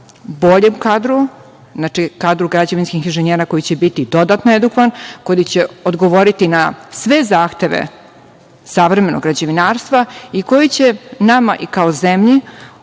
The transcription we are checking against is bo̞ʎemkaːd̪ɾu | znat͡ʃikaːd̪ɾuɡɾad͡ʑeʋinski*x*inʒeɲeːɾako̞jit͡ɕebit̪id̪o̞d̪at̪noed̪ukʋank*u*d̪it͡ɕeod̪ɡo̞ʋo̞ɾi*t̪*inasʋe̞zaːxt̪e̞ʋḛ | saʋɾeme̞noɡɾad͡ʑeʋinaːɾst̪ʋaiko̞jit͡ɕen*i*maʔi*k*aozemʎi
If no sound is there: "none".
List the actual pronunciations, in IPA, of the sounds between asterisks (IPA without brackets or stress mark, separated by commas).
x, o, t̪, a, k